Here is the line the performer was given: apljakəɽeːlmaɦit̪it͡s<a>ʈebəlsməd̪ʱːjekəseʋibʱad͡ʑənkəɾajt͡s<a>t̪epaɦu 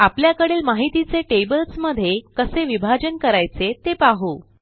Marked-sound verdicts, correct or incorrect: incorrect: e, incorrect: e

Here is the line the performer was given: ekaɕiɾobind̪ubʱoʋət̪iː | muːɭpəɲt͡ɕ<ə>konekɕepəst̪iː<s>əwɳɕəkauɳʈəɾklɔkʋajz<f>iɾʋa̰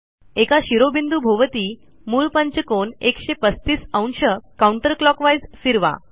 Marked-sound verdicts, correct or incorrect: correct, correct, correct

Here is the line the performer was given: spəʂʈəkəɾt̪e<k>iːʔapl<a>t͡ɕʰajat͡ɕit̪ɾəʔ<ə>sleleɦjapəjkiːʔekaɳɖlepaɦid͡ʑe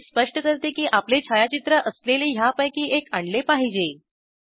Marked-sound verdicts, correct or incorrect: correct, incorrect: e, correct

